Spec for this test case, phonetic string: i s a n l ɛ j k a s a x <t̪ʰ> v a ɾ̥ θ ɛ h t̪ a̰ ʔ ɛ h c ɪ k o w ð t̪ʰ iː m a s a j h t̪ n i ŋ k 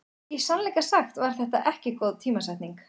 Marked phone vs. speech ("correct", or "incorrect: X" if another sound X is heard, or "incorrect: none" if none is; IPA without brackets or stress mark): incorrect: t̪